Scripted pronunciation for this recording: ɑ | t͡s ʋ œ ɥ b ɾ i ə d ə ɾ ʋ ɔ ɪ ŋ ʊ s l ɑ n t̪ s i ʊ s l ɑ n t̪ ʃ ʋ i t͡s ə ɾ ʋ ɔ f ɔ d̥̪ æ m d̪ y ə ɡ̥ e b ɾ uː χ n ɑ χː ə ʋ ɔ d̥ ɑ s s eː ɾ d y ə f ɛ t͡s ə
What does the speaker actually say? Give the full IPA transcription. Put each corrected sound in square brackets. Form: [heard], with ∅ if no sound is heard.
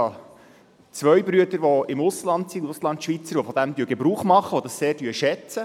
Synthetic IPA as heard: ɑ | t͡s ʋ œ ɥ b ɾ [y] ə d ə ɾ ʋ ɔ ɪ [m] ʊ s l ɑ n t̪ s i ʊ s l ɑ n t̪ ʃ ʋ i t͡s ə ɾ ʋ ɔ f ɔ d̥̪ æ m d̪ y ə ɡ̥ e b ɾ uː χ [m] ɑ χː ə ʋ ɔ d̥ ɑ s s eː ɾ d y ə [ʃ] ɛ t͡s ə